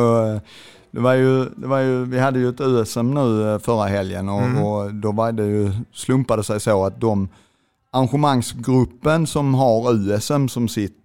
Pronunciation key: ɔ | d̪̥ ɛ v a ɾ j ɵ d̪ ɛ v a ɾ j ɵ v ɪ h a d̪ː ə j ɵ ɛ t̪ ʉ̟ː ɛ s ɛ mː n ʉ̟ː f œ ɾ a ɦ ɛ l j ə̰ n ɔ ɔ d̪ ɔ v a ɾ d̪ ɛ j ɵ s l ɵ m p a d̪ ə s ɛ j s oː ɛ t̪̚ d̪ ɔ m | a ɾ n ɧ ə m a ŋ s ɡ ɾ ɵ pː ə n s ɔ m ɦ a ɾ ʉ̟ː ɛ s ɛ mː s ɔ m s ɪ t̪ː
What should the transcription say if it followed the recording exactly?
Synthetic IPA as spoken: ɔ | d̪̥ ɛ v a ɾ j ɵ d̪ ɛ v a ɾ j ɵ v ɪ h a d̪ː ə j ɵ ɛ t̪ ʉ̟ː ɛ s ɛ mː n ʉ̟ː f œ ɾ a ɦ ɛ l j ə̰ n ɔ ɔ d̪ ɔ v a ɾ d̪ ɛ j ɵ s l ɵ m p a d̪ ə s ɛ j s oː a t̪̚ d̪ ɔ m | a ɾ n ɧ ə m a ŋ s ɡ ɾ ɵ pː ə n s ɔ m ɦ a ɾ ʉ̟ː ɛ s ɛ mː s ɔ m s ɪ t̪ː